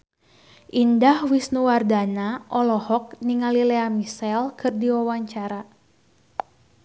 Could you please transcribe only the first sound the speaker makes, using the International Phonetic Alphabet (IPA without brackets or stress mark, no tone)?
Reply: ʔ